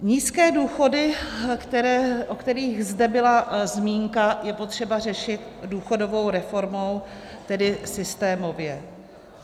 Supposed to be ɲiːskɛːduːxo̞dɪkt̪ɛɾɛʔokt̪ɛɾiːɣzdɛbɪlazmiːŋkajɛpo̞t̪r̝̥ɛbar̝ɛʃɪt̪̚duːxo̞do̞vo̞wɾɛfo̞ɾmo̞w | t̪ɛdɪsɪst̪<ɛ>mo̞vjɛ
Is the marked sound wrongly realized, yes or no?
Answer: yes